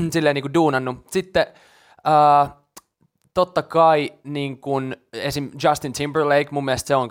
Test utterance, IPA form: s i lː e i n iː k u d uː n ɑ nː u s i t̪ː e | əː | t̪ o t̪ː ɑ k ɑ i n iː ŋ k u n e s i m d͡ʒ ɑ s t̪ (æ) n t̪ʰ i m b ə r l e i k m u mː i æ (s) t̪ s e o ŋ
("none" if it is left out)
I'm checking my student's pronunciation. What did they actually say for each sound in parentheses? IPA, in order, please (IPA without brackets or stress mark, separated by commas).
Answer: i, s